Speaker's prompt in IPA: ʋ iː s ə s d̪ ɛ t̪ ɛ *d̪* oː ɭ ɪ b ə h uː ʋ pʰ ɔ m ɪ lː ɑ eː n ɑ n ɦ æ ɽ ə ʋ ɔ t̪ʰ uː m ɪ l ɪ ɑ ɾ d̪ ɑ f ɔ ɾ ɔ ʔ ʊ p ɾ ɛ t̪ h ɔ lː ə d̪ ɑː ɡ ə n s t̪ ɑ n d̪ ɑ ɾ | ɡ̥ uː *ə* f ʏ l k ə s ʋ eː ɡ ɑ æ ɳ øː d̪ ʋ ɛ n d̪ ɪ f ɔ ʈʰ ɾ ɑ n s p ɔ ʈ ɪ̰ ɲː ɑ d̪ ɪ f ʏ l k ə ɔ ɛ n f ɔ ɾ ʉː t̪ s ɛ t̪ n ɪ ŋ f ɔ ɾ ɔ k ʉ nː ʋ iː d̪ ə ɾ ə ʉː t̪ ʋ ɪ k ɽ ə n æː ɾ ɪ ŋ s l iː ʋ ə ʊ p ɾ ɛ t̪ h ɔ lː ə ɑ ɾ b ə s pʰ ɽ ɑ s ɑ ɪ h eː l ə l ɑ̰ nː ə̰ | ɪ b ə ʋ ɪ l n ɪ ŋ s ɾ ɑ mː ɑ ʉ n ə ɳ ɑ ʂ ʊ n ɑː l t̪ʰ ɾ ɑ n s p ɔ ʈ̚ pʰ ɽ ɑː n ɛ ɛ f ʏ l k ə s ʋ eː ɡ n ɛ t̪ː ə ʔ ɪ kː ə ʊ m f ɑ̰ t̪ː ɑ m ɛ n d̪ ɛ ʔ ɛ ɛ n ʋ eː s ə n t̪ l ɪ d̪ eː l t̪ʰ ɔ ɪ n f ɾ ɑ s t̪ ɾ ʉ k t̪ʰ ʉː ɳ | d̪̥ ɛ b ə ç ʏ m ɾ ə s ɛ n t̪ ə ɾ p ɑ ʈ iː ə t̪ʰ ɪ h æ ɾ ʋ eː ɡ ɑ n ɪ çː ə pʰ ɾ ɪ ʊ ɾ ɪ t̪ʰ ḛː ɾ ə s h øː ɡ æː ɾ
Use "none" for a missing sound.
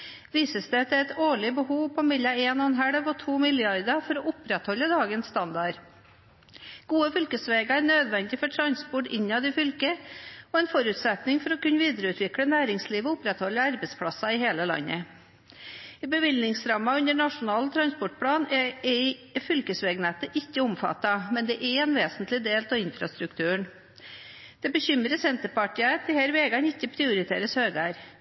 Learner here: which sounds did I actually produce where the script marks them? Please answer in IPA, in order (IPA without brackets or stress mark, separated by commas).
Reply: t̪, ə